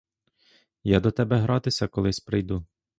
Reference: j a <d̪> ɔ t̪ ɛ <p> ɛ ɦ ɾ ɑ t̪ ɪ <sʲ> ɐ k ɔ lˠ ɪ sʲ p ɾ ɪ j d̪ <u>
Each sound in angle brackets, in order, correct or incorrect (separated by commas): correct, incorrect, correct, correct